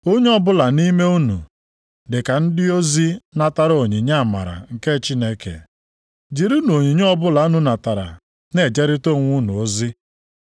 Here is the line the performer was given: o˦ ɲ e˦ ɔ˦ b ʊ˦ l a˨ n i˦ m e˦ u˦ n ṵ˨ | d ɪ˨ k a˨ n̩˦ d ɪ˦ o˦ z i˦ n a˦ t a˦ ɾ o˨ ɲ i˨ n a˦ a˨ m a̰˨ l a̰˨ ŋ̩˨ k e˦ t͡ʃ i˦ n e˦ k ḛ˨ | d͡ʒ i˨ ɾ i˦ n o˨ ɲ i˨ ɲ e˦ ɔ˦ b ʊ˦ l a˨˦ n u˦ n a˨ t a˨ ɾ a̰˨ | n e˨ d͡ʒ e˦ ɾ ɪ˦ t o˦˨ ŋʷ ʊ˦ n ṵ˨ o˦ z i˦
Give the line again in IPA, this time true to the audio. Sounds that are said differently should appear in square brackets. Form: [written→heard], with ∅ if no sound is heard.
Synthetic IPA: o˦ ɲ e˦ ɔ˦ b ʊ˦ l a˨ n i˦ m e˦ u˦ n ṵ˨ | d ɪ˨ k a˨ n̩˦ d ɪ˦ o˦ z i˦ n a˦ t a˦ ɾ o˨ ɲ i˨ [n→ɲ] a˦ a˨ m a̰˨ [l→ɾ] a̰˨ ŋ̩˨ k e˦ t͡ʃ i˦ n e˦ k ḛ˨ | d͡ʒ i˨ ɾ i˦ n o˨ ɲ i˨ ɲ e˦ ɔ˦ b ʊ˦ l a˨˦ n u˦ n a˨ t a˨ ɾ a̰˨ | n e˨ d͡ʒ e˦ ɾ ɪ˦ t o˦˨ ŋʷ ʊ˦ n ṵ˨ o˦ z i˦